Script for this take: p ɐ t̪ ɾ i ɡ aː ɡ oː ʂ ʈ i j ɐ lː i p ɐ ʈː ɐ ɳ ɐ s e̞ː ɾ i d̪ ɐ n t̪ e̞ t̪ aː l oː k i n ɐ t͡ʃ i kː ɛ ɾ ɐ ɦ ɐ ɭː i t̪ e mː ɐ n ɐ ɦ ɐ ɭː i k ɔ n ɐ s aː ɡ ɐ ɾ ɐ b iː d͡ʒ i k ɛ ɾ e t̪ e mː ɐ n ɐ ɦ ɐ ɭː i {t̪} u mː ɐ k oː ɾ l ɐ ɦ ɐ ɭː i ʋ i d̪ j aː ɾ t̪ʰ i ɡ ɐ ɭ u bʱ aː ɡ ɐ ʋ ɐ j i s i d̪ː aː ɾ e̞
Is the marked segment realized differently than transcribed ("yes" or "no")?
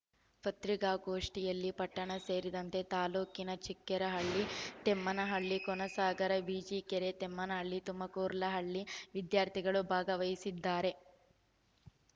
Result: no